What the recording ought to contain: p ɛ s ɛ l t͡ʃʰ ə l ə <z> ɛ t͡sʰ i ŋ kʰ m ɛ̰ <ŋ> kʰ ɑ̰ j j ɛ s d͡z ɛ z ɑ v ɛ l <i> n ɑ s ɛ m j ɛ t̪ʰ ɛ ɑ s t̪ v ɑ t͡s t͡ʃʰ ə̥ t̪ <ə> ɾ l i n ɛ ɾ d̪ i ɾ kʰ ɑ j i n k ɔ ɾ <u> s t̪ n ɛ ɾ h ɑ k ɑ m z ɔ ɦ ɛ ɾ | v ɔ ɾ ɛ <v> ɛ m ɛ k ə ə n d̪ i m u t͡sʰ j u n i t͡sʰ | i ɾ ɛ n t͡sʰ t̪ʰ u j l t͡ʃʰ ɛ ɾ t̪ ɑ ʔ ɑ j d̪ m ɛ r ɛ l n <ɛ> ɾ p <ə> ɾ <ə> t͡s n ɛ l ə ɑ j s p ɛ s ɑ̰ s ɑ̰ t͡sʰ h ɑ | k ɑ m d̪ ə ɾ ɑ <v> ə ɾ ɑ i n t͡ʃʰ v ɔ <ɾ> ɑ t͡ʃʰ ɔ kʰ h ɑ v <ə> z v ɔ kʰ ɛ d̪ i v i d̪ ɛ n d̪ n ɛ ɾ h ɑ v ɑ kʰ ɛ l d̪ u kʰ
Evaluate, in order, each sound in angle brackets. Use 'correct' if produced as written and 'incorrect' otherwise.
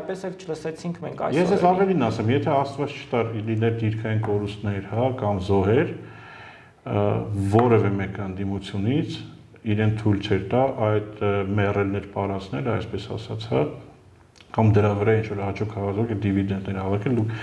incorrect, correct, correct, incorrect, correct, correct, correct, incorrect, incorrect, correct, correct, incorrect

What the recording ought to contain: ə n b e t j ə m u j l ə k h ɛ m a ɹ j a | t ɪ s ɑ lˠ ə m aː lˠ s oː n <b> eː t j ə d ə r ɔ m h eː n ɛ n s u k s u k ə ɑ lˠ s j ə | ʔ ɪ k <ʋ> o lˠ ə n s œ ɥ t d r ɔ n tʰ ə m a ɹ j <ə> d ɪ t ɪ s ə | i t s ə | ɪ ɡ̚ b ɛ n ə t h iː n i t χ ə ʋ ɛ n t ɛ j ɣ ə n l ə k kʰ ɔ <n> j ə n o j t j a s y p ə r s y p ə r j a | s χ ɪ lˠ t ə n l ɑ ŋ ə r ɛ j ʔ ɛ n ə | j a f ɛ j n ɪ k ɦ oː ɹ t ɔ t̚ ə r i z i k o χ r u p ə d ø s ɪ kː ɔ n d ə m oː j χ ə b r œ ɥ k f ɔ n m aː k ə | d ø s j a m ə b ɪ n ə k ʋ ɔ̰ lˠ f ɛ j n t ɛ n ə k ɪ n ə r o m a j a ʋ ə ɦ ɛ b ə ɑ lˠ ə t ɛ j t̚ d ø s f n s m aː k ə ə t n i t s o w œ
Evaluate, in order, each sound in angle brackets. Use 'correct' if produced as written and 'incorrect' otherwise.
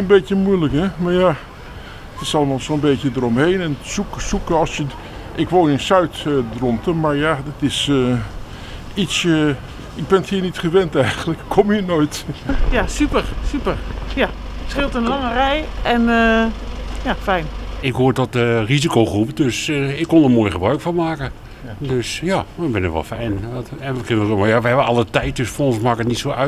correct, correct, incorrect, incorrect

